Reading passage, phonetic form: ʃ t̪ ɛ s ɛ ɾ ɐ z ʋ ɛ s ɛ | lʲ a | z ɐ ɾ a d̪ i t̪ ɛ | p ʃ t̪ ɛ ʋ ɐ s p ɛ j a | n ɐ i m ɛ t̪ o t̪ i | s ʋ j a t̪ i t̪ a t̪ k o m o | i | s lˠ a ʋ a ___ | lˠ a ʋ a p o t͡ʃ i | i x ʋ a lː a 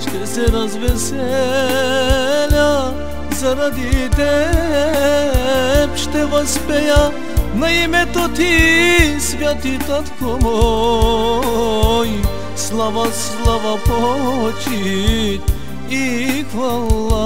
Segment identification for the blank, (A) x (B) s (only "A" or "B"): B